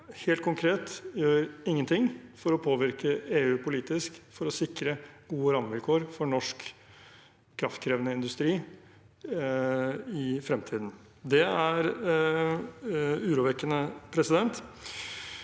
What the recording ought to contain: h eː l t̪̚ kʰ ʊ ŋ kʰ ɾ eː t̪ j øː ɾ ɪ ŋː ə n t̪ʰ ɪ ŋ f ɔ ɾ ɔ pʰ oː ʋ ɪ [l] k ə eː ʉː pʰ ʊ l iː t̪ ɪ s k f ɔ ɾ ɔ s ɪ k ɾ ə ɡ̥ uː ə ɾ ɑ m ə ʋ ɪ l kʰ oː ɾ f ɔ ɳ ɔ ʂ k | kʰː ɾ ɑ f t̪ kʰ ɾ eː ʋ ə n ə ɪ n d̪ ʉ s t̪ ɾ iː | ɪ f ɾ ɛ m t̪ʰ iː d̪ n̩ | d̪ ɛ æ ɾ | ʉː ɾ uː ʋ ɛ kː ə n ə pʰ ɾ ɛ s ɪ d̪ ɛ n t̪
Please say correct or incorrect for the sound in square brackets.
incorrect